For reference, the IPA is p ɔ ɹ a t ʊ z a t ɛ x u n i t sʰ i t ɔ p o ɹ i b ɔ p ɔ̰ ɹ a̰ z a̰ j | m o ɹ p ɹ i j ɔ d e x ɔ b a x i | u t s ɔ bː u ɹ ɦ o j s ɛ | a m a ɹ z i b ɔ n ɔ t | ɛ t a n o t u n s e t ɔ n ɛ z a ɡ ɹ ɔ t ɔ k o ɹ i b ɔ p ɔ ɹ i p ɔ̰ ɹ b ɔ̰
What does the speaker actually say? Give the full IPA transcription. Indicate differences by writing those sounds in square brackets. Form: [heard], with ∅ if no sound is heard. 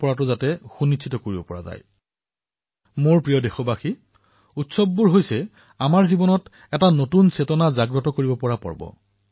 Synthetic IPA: p ɔ ɹ a t ʊ z a t ɛ x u n i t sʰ i t ɔ [k] o ɹ i b ɔ p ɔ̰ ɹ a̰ z a̰ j | m o ɹ p ɹ i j ɔ d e x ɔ b a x i | u t s ɔ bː u ɹ ɦ o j s ɛ | a m a ɹ z i b ɔ n ɔ t | ɛ t a n o t u n s e t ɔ n [a] z a ɡ ɹ ɔ t ɔ k o ɹ i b ɔ p ɔ ɹ [a] p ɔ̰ ɹ b ɔ̰

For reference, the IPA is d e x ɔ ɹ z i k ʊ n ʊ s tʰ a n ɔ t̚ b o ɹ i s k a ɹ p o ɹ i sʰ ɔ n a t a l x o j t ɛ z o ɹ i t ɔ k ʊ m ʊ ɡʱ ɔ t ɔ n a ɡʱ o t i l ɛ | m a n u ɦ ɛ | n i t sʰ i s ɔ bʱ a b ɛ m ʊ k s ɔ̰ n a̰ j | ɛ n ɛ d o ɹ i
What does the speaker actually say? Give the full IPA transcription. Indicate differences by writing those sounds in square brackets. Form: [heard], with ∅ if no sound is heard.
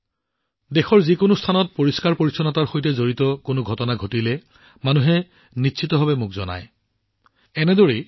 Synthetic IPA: d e x ɔ ɹ z i k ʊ n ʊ s tʰ a n ɔ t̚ [p] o ɹ i s k a ɹ p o ɹ i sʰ ɔ n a t a [ɹ] x o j t ɛ z o ɹ i t ɔ k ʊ [n] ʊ ɡʱ ɔ t ɔ n a ɡʱ o t i l ɛ | m a n u ɦ ɛ | n i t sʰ i [t] ɔ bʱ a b ɛ m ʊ k [z] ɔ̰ n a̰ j | ɛ n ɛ d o ɹ i

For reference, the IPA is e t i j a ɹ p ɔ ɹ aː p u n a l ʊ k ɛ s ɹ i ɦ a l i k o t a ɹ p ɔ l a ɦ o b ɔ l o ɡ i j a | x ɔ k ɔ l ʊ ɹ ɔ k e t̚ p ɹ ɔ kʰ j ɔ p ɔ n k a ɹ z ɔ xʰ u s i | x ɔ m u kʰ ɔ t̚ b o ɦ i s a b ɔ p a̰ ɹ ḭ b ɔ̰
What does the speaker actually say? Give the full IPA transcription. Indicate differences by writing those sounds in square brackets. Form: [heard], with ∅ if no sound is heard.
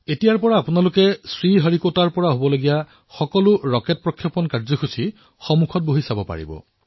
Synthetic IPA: e t i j a ɹ p ɔ ɹ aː p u n a l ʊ k ɛ s ɹ i ɦ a [ɹ] i k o t a ɹ p ɔ [ɹ] a ɦ o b ɔ l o ɡ i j a | x ɔ k ɔ l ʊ ɹ ɔ k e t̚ p ɹ ɔ kʰ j ɔ p ɔ n k a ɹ z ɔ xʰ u s i | x ɔ m u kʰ ɔ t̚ b o ɦ i s a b ɔ p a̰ ɹ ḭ b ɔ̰

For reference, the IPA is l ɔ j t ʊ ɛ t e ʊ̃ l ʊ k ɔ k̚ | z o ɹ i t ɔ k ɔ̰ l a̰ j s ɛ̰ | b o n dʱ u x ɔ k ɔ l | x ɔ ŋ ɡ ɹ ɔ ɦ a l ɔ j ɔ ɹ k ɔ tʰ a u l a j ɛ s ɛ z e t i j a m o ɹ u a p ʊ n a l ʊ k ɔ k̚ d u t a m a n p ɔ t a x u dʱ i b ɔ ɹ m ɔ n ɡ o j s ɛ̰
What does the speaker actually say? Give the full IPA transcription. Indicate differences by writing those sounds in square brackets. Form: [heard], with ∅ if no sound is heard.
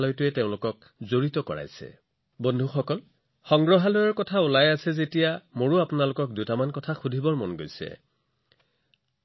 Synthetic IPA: l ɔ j t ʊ ɛ t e ʊ̃ l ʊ k ɔ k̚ | z o ɹ i t ɔ k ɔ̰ [ɹ] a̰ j s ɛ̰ | b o n dʱ u x ɔ k ɔ l | x ɔ ŋ ɡ ɹ ɔ ɦ a l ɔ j ɔ ɹ k ɔ tʰ a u l a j [a] s ɛ z e t i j a m o ɹ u a p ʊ n a l ʊ k ɔ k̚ d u t a m a n [k] ɔ [tʰ] a x u dʱ i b ɔ ɹ m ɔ n ɡ o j s ɛ̰

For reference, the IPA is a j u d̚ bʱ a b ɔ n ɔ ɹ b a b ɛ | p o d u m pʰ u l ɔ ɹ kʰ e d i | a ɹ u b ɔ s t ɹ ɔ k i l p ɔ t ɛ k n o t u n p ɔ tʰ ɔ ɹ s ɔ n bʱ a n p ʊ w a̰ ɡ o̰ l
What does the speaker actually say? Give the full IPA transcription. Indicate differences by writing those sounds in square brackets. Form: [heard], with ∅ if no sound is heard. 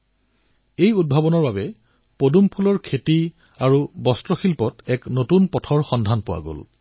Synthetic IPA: [e] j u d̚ bʱ a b ɔ n ɔ ɹ b a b ɛ | p o d u m pʰ u l ɔ ɹ kʰ e [t] i | a ɹ u b ɔ s t ɹ ɔ [x] i l p ɔ t ɛ k n o t u n p ɔ tʰ ɔ ɹ [x] ɔ n [dʱ] a n p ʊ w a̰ ɡ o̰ l

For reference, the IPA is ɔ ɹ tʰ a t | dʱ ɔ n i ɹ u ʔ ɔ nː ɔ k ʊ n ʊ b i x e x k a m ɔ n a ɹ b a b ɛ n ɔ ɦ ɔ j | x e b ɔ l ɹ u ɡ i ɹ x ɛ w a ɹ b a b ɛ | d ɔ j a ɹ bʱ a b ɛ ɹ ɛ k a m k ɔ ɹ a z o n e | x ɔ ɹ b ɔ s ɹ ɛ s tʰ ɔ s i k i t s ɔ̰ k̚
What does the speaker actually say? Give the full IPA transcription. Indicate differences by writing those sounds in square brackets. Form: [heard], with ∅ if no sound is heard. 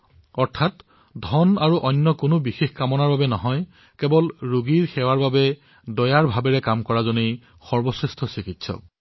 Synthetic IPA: ɔ ɹ tʰ a t | dʱ ɔ n [a] ɹ u ʔ ɔ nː ɔ k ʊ n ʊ b i x e x k a m ɔ n a ɹ b a b ɛ n ɔ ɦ ɔ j | [k] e b ɔ l ɹ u ɡ i ɹ x ɛ w a ɹ b a b ɛ | d ɔ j a ɹ bʱ a b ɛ ɹ ɛ k a m k ɔ ɹ a z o n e | x ɔ ɹ b ɔ s ɹ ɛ s tʰ ɔ s i k i t s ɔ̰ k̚

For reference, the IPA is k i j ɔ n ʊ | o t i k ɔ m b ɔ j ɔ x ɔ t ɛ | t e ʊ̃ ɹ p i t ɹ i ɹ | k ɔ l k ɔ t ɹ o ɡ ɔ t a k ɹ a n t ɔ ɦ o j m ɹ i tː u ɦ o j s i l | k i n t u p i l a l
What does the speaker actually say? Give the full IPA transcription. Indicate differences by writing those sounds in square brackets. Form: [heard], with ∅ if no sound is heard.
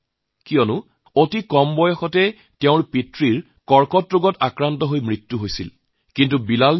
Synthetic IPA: k i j ɔ n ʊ | o t i k ɔ m b ɔ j ɔ x ɔ t ɛ | t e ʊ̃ ɹ p i t ɹ i ɹ | k ɔ [ɹ] k ɔ t ɹ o ɡ ɔ t a k ɹ a n t ɔ ɦ o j m ɹ i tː u ɦ o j s i l | k i n t u [b] i l a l

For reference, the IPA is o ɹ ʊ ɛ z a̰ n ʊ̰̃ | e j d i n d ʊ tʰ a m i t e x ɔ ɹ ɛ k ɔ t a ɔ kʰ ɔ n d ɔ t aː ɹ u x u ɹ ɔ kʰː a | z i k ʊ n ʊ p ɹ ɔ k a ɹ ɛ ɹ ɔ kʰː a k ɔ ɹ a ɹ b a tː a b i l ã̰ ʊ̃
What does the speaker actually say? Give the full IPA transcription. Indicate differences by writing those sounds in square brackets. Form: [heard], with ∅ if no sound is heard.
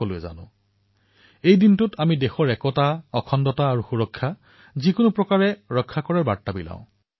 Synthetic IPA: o [l] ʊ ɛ z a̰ n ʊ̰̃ | e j d i n [t] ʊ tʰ a m i [d] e x ɔ ɹ ɛ k ɔ t a ɔ kʰ ɔ n d ɔ t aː ɹ u x u ɹ ɔ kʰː a | z i k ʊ n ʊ p ɹ ɔ k a ɹ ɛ ɹ ɔ kʰː a k ɔ ɹ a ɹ b a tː a b i l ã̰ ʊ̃

